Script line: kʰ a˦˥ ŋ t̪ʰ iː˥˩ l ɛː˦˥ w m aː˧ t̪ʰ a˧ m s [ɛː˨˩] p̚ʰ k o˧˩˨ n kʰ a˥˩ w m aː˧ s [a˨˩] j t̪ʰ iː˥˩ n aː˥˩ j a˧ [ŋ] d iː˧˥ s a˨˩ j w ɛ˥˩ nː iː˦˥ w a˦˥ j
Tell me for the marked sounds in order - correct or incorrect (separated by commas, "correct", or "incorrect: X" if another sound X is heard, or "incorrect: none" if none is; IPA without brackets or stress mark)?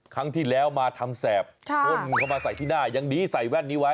correct, correct, correct